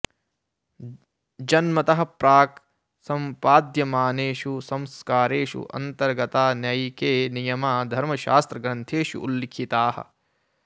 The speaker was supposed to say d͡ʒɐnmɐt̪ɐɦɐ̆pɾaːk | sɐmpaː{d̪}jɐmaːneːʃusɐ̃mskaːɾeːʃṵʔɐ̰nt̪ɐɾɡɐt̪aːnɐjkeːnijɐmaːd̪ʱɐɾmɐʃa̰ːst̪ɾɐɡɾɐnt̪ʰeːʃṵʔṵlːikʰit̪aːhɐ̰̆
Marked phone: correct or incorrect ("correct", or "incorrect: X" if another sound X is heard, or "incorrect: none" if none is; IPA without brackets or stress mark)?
correct